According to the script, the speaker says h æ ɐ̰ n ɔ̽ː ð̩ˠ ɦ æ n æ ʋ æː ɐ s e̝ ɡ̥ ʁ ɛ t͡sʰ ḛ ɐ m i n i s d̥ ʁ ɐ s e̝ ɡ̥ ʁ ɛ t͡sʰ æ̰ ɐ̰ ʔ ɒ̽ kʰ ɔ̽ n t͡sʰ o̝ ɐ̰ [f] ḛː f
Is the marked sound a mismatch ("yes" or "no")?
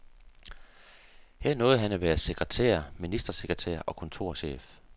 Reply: yes